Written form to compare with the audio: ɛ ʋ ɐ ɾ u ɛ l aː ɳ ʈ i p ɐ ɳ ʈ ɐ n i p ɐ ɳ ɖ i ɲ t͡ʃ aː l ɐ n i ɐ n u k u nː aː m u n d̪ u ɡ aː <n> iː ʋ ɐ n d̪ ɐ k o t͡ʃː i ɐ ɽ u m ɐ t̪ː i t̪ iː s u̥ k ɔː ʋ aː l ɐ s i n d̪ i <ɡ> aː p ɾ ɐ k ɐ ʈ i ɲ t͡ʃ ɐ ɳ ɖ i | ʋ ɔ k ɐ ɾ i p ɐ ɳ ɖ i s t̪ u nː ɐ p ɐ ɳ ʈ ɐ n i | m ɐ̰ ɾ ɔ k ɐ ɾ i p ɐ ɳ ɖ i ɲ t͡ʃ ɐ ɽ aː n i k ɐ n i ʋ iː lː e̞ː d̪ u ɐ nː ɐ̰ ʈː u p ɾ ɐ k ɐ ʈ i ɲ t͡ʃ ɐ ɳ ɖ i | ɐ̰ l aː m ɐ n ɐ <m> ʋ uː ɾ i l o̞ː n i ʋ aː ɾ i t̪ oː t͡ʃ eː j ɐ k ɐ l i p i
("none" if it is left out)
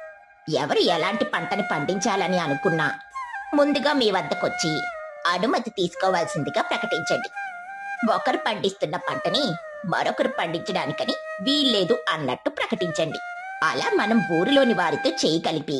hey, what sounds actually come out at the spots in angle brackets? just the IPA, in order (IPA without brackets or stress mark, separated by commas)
m, ɡ, m